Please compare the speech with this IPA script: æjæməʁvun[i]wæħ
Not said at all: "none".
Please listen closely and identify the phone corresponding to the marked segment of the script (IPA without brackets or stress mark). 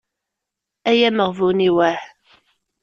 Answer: i